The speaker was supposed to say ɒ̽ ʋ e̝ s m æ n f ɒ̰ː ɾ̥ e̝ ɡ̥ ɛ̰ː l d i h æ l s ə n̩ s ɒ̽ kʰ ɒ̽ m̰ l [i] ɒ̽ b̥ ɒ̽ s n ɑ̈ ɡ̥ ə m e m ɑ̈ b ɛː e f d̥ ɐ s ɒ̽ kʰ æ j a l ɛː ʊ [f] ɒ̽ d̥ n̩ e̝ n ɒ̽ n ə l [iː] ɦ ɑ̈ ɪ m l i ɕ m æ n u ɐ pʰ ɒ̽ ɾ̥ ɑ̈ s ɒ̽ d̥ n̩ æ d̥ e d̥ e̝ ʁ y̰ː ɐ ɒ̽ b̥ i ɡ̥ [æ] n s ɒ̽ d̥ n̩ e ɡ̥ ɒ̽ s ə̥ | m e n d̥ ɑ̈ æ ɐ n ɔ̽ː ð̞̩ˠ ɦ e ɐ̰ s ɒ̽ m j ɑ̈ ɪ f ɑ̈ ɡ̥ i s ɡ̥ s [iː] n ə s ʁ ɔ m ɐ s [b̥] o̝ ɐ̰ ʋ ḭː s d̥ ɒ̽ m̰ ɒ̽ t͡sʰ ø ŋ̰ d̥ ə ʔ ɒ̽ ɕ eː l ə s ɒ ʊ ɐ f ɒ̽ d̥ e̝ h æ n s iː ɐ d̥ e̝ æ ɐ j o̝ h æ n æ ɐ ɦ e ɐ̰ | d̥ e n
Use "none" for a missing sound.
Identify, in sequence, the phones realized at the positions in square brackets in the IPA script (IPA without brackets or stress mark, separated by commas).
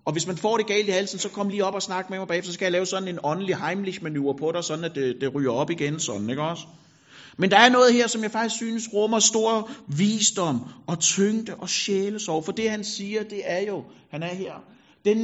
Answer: iː, s, i, e, yː, d̥